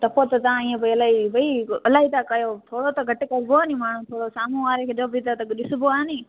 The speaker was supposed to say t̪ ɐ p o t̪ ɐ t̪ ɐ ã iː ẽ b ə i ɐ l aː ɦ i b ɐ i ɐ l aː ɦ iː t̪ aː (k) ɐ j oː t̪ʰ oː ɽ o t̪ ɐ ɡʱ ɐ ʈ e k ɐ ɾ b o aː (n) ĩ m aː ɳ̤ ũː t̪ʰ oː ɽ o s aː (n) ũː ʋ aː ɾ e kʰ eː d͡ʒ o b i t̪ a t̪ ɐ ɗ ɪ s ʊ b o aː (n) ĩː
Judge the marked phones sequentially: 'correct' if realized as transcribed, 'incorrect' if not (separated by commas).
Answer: correct, correct, incorrect, correct